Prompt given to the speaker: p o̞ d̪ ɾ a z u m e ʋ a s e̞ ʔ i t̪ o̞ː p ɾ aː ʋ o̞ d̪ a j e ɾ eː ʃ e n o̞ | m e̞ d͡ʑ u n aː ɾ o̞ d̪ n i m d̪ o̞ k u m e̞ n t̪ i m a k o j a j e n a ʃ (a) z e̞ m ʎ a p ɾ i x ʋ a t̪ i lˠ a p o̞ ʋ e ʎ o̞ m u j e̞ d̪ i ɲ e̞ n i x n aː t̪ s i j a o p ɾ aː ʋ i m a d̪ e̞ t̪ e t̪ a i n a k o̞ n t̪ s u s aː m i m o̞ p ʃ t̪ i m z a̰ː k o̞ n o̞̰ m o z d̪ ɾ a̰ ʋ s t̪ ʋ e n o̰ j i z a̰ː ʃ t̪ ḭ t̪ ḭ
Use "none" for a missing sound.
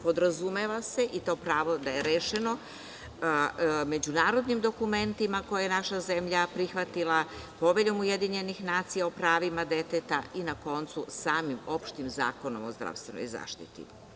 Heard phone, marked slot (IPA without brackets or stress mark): a